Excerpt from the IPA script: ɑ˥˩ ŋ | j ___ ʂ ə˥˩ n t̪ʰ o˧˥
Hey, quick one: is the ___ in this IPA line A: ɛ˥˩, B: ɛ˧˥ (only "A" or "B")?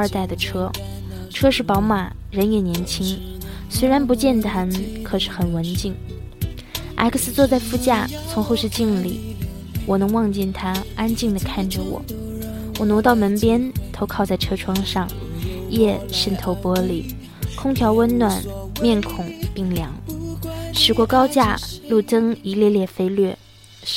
A